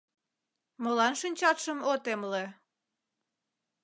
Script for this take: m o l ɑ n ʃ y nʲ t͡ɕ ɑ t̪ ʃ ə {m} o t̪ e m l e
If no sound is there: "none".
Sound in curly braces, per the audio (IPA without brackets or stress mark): m